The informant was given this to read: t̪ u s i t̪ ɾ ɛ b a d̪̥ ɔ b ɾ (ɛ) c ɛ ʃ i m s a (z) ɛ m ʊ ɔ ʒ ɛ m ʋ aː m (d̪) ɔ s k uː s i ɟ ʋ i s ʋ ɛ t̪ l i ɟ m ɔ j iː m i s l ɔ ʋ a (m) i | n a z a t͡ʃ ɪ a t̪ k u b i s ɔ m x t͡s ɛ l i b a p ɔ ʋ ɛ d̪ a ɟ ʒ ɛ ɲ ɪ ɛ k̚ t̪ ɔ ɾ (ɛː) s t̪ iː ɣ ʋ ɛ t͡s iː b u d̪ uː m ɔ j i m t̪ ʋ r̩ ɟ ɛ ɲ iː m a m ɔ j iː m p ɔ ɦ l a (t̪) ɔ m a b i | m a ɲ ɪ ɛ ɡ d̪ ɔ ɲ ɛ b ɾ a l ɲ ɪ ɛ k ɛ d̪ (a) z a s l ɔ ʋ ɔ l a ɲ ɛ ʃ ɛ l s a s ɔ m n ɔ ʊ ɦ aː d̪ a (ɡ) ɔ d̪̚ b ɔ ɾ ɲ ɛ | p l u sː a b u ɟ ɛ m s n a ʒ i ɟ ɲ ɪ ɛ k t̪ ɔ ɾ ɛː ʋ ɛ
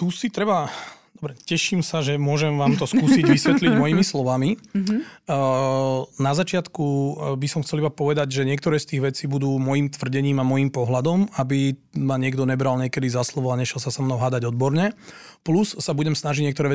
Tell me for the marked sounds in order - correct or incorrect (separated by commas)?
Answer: correct, incorrect, incorrect, correct, correct, incorrect, incorrect, incorrect